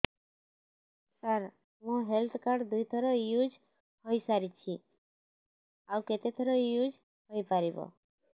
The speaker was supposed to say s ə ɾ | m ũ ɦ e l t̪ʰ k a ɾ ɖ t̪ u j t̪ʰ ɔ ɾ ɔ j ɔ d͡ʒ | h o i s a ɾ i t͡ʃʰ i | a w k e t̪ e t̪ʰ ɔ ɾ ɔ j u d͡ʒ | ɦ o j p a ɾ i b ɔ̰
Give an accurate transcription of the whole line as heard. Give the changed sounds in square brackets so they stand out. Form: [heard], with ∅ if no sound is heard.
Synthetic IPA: s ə ɾ | m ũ ɦ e l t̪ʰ k a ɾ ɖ [d̪] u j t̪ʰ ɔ ɾ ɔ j [u] d͡ʒ | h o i s a ɾ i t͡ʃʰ i | a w k e t̪ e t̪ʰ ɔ ɾ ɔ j u d͡ʒ | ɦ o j p a ɾ i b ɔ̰